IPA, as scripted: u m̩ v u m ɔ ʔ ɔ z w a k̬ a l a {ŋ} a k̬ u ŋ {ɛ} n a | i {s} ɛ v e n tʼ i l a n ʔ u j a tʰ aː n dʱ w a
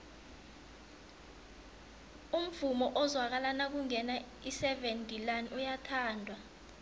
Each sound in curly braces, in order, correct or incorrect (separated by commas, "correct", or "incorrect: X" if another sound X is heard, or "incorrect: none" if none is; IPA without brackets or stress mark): incorrect: n, correct, correct